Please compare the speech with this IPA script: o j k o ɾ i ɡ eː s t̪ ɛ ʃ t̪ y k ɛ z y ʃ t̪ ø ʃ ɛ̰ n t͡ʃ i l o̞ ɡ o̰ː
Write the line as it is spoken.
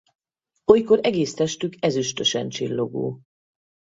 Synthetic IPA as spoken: o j k o ɾ ɛ ɡ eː s t̪ ɛ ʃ t̪ y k ɛ z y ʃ t̪ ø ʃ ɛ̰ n t͡ʃ i lː o̞ ɡ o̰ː

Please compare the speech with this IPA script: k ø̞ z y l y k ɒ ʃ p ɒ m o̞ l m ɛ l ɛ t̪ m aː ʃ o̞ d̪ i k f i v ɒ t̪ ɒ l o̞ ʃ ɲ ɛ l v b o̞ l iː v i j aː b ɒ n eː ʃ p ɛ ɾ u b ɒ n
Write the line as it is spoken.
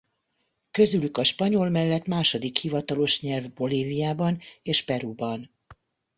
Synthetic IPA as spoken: k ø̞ z y l y k ɒ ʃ p ɒ ɲ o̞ l m ɛ lː ɛ t̪ m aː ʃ o̞ d̪ i k h i v ɒ t̪ ɒ l o̞ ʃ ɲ ɛ l v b o̞ l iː v i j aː b ɒ n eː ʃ p ɛ ɾ u b ɒ n

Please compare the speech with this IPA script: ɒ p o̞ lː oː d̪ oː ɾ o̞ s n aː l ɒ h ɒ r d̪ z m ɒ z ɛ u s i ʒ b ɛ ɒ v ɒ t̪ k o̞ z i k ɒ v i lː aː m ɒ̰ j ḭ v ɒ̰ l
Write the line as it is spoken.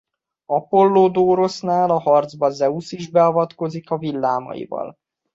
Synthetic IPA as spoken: ɒ p o̞ lː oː d̪ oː ɾ o̞ s n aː l ɒ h ɒ r d̪ z b ɒ z ɛ u s i ʒ b ɛ ɒ v ɒ t̪ k o̞ z i k ɒ v i lː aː m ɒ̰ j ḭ v ɒ̰ l

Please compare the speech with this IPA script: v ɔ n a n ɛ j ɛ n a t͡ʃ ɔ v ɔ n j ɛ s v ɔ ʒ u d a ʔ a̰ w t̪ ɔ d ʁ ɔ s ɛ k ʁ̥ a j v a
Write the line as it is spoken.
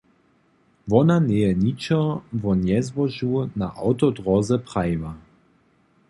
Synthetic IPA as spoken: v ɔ n a n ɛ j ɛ n i t͡ʃ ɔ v ɔ n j ɛ z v ɔ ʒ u n a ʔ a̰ w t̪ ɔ d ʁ ɔ z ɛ p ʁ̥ a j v a

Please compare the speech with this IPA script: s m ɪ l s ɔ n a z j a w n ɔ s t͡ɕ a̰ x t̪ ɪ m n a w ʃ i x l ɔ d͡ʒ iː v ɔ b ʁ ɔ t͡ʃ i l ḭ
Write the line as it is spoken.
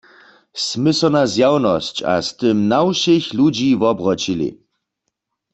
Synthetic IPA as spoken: s m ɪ s ɔ n a z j a w n ɔ s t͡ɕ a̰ s t̪ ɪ m n a w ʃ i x l u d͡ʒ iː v ɔ b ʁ ɔ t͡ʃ i l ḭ

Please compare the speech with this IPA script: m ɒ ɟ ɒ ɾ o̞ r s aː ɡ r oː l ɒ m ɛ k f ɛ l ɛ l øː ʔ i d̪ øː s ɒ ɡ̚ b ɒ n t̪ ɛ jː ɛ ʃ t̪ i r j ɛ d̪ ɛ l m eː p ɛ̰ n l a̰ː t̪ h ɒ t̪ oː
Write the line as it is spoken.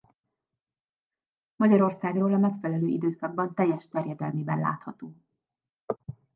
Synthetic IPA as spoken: m ɒ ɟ ɒ ɾ o̞ r s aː ɡ r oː l ɒ m ɛ k f ɛ l ɛ l øː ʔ i d̪ øː s ɒ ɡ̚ b ɒ n t̪ ɛ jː ɛ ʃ t̪ ɛ r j ɛ d̪ ɛ l m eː b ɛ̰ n l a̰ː t̪ h ɒ t̪ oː

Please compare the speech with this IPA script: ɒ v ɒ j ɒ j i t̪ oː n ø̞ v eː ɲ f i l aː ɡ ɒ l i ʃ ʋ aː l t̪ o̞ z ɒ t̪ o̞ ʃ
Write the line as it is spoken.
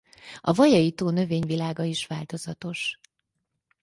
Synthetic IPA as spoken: ɒ v ɒ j ɒ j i t̪ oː n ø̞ v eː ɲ v i l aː ɡ ɒ i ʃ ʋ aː l t̪ o̞ z ɒ t̪ o̞ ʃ

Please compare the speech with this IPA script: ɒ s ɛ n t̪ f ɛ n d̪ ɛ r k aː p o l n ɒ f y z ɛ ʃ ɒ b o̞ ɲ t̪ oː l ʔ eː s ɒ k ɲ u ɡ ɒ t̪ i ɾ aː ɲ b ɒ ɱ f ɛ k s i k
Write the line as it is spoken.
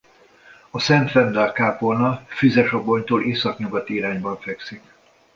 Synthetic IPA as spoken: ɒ s ɛ n t̪ f ɛ n d̪ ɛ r k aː p o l n ɒ f y z ɛ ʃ ɒ b o̞ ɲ t̪ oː l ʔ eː s ɒ k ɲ u ɡ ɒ t̪ i ɾ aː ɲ b ɒ ɱ f ɛ k s i k

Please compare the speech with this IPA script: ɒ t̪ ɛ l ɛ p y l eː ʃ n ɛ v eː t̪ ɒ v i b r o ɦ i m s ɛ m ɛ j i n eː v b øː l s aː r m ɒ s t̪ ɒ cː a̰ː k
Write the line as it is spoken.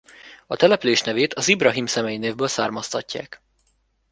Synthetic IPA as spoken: ɒ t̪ ɛ l ɛ p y l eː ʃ n ɛ v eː t̪ ɒ z i b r ɒ ɦ i m s ɛ m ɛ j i n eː v b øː l s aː r m ɒ s t̪ ɒ cː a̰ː k

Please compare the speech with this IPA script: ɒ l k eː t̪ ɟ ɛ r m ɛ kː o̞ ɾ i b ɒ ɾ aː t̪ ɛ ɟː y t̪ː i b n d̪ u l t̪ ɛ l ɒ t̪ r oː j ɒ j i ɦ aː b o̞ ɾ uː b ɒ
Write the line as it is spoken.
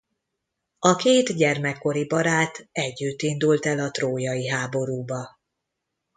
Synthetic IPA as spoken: ɒ k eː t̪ ɟ ɛ r m ɛ kː o̞ ɾ i b ɒ ɾ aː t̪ ɛ ɟː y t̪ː i n d̪ u l t̪ ɛ l ɒ t̪ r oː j ɒ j i ɦ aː b o̞ ɾ uː b ɒ

